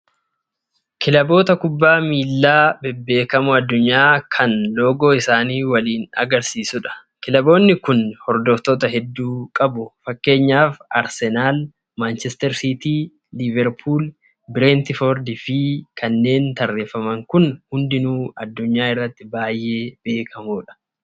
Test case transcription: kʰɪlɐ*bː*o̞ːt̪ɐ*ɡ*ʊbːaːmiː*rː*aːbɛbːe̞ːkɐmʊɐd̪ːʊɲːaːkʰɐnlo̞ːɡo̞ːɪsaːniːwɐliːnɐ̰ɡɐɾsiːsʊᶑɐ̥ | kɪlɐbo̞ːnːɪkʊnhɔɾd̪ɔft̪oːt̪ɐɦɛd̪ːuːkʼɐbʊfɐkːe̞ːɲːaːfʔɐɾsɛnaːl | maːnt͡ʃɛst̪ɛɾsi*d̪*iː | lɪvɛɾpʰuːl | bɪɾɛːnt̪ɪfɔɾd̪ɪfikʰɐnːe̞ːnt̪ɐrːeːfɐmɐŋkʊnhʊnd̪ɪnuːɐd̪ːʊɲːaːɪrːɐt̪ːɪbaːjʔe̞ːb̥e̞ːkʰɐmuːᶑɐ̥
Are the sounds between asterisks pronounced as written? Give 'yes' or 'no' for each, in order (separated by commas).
no, no, no, no